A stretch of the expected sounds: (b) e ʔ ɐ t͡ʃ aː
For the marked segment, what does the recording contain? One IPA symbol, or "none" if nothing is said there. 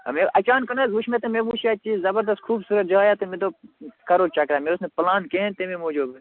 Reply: m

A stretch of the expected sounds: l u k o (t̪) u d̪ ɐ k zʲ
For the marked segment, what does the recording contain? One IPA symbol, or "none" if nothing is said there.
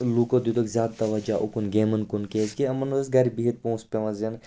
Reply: d̪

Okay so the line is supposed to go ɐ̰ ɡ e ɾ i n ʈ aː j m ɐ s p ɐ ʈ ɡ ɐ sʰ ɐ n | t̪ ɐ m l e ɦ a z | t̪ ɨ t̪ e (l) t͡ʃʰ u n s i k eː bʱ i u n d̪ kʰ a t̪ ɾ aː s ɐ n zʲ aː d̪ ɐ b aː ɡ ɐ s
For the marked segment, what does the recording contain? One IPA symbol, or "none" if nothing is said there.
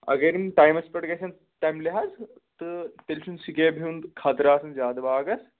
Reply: l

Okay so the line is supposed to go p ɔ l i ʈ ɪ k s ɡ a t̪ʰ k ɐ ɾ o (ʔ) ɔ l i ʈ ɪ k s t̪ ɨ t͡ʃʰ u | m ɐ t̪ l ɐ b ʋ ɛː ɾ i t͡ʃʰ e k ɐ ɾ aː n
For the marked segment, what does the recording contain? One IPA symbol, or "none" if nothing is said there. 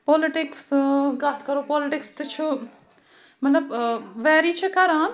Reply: p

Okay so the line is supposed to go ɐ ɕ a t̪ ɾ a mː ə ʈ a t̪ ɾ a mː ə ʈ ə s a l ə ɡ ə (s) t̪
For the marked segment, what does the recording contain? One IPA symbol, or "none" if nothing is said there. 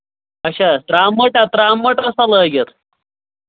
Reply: none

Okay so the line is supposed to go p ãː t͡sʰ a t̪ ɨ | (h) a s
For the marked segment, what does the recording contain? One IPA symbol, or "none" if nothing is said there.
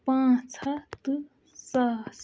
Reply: s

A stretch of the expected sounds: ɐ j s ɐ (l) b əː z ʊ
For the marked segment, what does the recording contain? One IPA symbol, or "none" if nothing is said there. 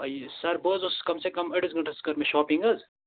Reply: ɾ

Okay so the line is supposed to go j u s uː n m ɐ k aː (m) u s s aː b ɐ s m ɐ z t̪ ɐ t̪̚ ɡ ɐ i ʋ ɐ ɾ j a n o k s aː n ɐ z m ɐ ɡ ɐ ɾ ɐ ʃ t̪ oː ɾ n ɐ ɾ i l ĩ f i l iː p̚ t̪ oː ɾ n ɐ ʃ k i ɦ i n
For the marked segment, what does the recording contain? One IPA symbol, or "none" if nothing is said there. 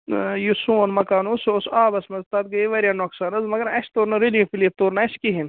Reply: n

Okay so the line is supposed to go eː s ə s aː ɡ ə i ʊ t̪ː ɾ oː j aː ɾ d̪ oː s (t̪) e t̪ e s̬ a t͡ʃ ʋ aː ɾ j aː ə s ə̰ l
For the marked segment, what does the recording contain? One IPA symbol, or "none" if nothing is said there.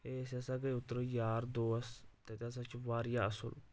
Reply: t̪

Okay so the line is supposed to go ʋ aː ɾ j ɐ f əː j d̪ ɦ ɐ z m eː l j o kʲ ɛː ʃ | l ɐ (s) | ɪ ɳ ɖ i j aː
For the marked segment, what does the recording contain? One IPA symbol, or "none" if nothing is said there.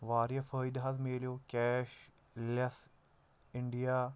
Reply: s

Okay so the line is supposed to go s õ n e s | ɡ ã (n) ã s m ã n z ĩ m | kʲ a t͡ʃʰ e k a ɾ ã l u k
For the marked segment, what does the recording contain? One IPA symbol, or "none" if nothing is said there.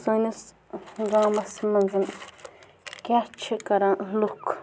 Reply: m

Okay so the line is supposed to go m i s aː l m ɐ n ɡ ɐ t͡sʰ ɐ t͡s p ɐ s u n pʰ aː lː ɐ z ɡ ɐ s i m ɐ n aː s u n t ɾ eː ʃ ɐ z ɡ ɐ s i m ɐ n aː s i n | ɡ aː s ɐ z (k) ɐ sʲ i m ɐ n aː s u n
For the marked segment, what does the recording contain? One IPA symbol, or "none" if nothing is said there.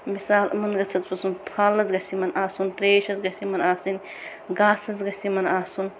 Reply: ɡ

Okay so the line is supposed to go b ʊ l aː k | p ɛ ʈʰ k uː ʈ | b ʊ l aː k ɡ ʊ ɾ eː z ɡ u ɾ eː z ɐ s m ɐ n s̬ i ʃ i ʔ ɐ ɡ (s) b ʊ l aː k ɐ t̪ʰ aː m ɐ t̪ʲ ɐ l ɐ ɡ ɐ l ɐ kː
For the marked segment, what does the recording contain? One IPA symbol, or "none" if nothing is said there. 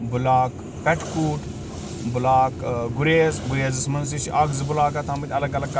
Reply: z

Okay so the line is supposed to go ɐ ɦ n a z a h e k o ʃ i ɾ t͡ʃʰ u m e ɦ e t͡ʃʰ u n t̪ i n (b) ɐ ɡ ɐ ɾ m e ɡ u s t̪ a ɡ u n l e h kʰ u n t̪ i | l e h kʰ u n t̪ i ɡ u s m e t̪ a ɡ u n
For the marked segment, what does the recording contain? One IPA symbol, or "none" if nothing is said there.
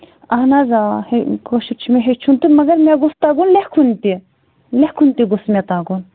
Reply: m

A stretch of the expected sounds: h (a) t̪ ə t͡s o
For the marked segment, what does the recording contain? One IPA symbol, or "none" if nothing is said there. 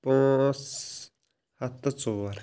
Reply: a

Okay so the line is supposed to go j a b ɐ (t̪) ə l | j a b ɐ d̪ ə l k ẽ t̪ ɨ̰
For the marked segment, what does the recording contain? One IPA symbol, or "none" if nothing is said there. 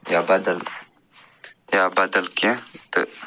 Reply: d̪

